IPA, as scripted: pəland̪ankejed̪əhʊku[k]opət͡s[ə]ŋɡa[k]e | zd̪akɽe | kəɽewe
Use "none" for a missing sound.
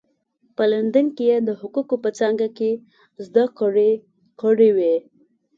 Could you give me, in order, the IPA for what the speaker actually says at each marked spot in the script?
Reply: k, ɑ, k

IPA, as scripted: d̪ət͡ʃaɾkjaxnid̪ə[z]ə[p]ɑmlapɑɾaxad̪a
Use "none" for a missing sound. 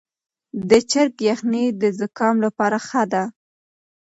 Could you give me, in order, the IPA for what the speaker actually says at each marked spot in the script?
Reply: z, k

